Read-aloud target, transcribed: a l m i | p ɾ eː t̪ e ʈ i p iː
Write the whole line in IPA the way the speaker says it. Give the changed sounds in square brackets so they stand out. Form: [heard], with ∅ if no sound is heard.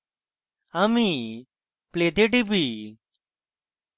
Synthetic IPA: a [∅] m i | p [l] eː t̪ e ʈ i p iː